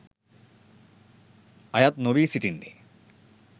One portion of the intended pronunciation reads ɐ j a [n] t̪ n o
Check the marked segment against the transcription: incorrect: none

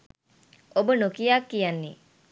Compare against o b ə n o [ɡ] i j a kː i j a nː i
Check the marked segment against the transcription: incorrect: k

